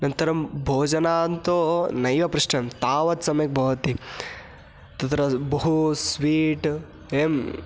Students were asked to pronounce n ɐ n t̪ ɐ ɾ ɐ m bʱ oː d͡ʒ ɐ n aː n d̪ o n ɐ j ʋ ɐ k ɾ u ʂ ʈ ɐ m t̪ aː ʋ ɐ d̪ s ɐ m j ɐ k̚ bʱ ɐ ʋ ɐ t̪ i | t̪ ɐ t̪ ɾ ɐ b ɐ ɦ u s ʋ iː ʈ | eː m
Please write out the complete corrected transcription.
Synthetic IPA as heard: n ɐ n t̪ ɐ ɾ ɐ m bʱ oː d͡ʒ ɐ n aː n t̪ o n ɐ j ʋ ɐ p ɾ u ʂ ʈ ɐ m t̪ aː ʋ ɐ t̪ s ɐ m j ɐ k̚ bʱ ɐ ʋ ɐ t̪ i | t̪ ɐ t̪ ɾ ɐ b ɐ ɦ u s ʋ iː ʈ | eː m